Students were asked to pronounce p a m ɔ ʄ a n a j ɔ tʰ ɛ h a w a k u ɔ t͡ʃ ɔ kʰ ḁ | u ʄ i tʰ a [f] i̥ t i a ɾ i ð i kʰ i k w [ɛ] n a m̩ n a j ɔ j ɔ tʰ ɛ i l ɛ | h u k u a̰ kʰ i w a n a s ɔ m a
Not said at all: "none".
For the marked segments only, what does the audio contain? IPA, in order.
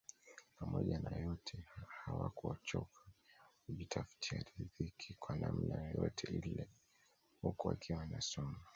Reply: f, a

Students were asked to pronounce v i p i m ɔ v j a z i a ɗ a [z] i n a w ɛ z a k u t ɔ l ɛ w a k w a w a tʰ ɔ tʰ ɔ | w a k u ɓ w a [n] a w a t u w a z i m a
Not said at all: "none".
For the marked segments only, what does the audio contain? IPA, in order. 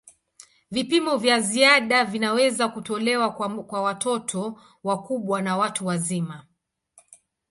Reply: v, n

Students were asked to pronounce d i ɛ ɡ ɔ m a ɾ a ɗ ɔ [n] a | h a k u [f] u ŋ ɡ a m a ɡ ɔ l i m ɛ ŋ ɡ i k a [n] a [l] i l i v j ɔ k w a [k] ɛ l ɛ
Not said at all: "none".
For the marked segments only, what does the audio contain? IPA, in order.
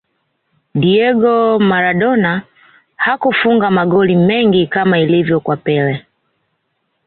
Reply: n, f, m, none, p

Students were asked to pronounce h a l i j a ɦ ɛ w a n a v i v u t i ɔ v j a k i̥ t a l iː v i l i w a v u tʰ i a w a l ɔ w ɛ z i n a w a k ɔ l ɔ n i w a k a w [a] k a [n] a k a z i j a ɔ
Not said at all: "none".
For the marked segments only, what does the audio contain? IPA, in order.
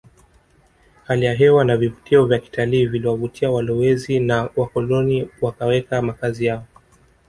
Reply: ɛ, m

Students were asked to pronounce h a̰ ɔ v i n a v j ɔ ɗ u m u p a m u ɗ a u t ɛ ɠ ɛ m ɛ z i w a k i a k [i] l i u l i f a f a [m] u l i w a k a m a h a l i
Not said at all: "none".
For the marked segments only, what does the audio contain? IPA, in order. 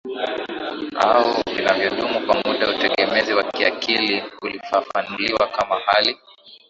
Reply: i, n

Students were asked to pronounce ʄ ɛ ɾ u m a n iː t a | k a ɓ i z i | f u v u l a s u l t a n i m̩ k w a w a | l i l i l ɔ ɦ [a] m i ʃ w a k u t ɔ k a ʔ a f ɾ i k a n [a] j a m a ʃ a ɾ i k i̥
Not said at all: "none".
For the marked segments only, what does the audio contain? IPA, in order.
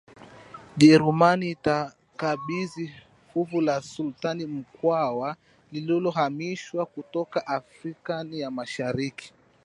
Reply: a, i

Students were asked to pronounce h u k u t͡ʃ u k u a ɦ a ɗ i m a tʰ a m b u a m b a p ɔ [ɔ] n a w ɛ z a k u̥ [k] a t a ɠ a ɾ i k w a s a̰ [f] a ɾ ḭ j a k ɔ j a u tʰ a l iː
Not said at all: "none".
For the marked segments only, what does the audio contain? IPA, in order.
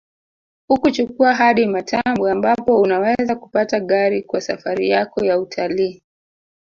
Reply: u, p, f

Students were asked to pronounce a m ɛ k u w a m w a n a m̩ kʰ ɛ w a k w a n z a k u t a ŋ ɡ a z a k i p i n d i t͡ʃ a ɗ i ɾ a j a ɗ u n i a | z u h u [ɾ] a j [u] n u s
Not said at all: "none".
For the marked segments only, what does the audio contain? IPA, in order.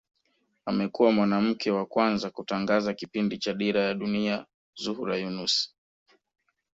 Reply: ɾ, u

